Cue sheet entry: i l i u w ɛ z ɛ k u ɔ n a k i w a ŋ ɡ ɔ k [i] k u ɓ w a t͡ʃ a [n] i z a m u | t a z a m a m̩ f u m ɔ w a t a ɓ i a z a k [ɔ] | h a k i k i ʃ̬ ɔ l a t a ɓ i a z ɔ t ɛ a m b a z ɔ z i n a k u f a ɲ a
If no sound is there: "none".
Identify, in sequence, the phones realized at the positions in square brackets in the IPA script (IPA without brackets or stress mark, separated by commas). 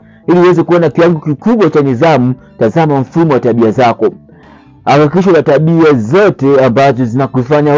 i, n, ɔ